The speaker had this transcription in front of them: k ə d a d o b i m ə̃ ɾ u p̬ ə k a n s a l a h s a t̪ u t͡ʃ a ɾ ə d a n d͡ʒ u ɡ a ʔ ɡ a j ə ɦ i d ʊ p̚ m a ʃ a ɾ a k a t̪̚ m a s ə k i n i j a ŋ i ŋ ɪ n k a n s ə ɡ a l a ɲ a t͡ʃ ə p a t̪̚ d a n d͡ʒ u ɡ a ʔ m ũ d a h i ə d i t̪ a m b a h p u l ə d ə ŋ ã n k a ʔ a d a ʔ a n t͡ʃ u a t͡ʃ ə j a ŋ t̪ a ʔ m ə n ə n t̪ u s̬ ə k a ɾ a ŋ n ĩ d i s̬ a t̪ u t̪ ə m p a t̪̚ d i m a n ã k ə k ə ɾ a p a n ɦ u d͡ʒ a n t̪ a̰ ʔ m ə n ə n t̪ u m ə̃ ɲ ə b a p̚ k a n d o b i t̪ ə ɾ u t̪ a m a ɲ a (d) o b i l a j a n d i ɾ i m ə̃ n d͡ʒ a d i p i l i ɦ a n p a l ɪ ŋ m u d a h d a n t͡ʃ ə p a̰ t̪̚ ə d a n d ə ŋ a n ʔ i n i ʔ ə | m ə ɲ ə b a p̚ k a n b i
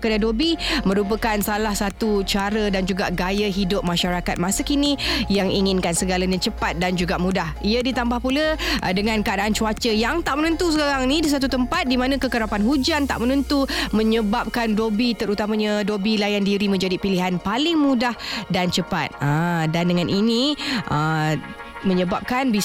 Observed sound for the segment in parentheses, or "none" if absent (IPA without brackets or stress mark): d